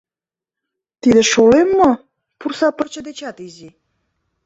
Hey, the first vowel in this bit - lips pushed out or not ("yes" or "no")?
no